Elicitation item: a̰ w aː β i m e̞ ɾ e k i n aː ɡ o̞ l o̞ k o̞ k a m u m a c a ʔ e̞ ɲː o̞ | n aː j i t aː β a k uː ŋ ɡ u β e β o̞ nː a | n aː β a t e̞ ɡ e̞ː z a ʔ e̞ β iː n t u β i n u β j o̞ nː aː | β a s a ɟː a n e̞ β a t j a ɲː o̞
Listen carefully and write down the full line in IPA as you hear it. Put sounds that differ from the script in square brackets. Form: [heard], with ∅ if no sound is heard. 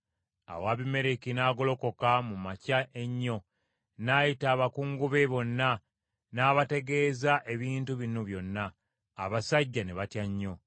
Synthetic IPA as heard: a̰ w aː β i m e̞ ɾ e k i n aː ɡ o̞ l o̞ k o̞ k a m u m a c a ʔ e̞ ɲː o̞ | n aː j i t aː β a k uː ŋ ɡ u β e β o̞ nː a | n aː β a t e̞ ɡ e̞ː z a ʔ e̞ β iː n t u β i n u β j o̞ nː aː | β a s a ɟː a n e̞ β a t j a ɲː o̞